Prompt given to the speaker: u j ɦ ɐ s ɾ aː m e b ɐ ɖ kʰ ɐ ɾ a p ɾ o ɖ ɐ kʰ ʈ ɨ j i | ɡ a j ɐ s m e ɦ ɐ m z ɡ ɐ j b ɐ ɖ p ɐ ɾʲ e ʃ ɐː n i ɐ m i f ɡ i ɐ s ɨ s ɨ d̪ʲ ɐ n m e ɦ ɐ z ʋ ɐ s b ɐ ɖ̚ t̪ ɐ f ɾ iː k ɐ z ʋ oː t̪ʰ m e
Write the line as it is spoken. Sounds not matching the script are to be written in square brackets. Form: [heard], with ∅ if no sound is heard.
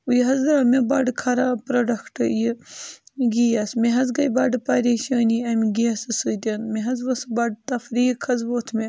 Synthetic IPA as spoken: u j ɦ ɐ [z] ɾ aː m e b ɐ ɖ kʰ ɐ ɾ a p ɾ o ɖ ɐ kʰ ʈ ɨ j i | ɡ [i] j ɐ s m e ɦ ɐ [∅] z ɡ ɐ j b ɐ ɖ p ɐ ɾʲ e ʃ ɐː n i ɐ m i [∅] ɡ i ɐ s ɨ s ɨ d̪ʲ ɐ n m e ɦ ɐ z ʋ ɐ s b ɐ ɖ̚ t̪ ɐ f ɾ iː [kʰ] ɐ z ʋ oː t̪ʰ m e